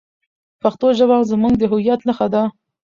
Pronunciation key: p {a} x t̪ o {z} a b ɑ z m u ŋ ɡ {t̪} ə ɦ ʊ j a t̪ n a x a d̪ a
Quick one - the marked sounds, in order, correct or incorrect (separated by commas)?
correct, incorrect, incorrect